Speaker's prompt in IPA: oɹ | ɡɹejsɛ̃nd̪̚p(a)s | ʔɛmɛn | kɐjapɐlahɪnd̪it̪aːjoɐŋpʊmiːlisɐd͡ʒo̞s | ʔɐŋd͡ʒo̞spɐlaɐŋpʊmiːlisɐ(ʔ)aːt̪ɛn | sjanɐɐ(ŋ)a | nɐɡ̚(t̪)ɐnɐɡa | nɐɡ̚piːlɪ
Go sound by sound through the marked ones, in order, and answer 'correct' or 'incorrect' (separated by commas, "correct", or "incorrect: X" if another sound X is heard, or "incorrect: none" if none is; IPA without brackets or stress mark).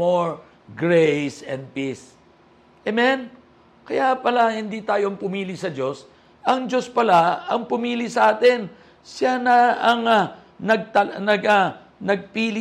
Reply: incorrect: i, correct, correct, correct